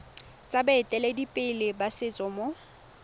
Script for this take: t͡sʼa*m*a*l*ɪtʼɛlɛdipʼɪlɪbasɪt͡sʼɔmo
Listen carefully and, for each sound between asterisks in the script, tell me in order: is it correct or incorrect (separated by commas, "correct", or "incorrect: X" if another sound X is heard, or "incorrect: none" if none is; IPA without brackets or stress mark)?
incorrect: b, incorrect: none